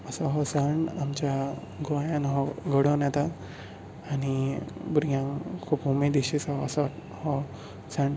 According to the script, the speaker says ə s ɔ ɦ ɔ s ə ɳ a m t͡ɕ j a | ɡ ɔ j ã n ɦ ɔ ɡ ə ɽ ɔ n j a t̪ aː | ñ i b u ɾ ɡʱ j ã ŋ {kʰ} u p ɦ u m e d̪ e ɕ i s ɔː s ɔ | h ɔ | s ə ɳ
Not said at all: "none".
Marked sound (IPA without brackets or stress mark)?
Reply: kʰ